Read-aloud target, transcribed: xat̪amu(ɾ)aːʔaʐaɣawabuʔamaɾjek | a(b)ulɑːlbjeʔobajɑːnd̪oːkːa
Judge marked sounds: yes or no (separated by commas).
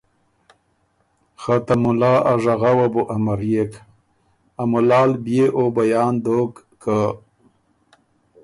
no, no